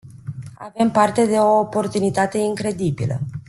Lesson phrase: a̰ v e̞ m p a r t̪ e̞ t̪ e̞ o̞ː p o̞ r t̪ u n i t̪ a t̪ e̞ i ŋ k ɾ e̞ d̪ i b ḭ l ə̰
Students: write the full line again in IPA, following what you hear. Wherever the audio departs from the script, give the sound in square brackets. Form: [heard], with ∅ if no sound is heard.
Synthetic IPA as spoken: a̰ v e̞ m p a r t̪ e̞ [d̪] e̞ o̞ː p o̞ r t̪ u n i t̪ a t̪ e̞ i ŋ k ɾ e̞ d̪ i b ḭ l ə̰

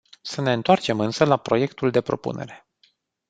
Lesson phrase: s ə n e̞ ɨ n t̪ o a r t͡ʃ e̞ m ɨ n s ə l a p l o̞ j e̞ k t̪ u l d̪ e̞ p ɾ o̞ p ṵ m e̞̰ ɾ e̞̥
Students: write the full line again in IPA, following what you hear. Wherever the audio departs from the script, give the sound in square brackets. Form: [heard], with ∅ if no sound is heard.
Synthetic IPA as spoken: s ə n e̞ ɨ n t̪ o a r t͡ʃ e̞ m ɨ n s ə l a p [ɾ] o̞ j e̞ k t̪ u l d̪ e̞ p ɾ o̞ p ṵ [n] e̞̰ ɾ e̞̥

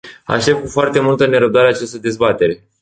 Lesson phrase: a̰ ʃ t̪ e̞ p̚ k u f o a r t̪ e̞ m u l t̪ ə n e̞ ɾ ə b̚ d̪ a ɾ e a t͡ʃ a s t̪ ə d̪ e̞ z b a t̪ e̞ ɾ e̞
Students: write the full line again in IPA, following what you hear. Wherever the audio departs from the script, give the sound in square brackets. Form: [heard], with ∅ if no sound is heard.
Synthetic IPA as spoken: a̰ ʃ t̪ e̞ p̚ k u f o a r t̪ e̞ m u l t̪ ə n e̞ ɾ ə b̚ d̪ a ɾ e a t͡ʃ a s t̪ ə d̪ e̞ z b a t̪ e̞ ɾ e̞

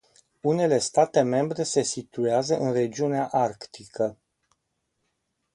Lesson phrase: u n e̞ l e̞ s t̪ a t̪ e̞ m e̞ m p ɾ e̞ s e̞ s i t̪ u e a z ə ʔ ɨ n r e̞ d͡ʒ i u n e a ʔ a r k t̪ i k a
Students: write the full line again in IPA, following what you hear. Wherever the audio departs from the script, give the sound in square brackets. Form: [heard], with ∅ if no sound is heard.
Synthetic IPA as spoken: u n e̞ l e̞ s t̪ a t̪ e̞ m e̞ m [b] ɾ e̞ s e̞ s i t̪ u e a z ə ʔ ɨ n r e̞ d͡ʒ i u n e a ʔ a r k t̪ i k [ə]

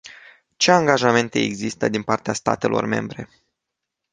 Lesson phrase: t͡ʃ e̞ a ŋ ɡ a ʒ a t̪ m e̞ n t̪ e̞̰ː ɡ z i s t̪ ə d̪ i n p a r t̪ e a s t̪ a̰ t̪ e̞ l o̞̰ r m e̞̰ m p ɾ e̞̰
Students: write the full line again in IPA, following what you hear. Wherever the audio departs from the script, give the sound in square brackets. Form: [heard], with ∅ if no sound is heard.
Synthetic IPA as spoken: t͡ʃ e̞ a ŋ ɡ a ʒ a [∅] m e̞ n t̪ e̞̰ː ɡ z i s t̪ ə d̪ i n p a r t̪ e a s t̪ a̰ t̪ e̞ l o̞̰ r m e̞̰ m [b] ɾ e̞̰

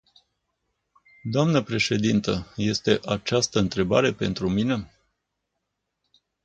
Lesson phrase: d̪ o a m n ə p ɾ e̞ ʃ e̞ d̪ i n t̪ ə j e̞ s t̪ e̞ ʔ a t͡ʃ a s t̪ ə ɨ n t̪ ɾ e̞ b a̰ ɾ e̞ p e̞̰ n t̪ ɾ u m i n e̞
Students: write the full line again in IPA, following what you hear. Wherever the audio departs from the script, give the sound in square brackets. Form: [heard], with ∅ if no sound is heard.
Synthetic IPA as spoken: d̪ o a m n ə p ɾ e̞ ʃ e̞ d̪ i n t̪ ə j e̞ s t̪ e̞ ʔ a t͡ʃ a s t̪ ə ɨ n t̪ ɾ e̞ b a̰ ɾ e̞ p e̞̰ n t̪ ɾ u m i n e̞

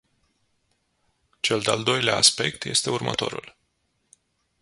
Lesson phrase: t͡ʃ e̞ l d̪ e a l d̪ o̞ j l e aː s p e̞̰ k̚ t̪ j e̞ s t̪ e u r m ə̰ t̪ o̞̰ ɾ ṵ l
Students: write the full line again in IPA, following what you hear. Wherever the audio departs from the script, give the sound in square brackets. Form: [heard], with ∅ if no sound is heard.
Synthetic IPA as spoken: t͡ʃ e̞ l d̪ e a l d̪ o̞ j l e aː s p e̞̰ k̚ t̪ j e̞ s t̪ e u r m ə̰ t̪ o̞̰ ɾ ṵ l

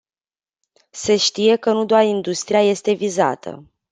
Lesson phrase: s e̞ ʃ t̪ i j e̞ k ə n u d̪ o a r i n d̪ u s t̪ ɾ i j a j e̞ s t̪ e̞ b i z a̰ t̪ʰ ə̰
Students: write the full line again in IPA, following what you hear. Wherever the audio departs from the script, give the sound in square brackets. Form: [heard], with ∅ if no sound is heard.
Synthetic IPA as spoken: s e̞ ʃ t̪ i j e̞ k ə n u d̪ o a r i n d̪ u s t̪ ɾ i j a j e̞ s t̪ e̞ [v] i z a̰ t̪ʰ ə̰

